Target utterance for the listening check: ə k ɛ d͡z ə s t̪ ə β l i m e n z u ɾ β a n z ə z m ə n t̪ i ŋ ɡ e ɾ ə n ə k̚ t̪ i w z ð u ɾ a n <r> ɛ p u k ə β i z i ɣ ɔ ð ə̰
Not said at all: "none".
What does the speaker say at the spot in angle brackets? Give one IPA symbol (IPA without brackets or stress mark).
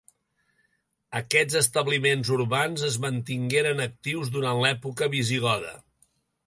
l